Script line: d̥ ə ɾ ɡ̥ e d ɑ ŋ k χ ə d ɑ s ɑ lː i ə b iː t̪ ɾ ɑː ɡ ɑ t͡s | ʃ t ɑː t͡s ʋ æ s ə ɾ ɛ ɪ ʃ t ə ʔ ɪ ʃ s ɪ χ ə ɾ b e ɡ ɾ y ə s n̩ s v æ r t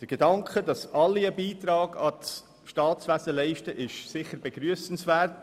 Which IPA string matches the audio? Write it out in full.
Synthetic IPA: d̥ ə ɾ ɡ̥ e d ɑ ŋ k χ ə d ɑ s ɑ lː i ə b iː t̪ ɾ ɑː ɡ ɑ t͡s | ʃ t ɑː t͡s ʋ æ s ə l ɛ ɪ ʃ t ə ʔ ɪ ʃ s ɪ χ ə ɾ b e ɡ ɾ y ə s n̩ s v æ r t